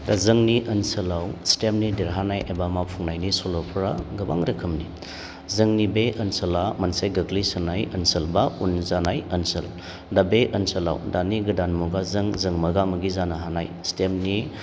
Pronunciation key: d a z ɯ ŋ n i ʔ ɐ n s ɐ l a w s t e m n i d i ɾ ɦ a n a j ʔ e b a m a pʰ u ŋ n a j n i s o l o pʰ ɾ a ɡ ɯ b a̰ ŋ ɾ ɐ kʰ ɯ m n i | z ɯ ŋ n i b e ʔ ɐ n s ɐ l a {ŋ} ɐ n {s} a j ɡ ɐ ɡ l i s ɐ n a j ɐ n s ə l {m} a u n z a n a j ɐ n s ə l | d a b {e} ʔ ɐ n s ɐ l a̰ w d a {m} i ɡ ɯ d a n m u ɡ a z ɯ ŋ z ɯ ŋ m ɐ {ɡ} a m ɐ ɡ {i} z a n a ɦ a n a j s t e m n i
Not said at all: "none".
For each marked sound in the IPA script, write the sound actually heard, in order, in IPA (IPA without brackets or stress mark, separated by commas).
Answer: m, s, b, e, n, ɡ, i